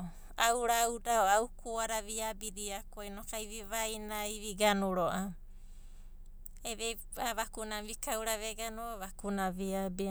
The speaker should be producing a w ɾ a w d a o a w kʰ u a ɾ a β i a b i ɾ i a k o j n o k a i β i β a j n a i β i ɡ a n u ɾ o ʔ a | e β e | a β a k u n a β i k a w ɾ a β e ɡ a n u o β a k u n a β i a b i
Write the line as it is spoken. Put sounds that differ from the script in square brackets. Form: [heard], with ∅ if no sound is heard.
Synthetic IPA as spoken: a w ɾ a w d a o a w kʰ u a ɾ a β i a b i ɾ i a k o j n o k a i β i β a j n a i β i ɡ a n u ɾ o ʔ a | e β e | a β a k u n a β i k a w ɾ a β e ɡ a n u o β a k u n a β i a b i